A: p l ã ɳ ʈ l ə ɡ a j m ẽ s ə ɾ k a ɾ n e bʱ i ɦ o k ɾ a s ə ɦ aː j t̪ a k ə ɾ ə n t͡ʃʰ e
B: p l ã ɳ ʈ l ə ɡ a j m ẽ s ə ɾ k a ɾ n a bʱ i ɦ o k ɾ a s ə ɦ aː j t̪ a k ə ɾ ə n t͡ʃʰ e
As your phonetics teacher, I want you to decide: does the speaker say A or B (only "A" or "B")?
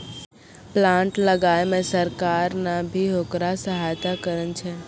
B